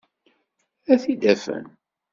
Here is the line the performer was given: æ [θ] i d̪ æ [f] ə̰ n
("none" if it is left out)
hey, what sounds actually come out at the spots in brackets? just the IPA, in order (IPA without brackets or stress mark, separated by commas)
θ, f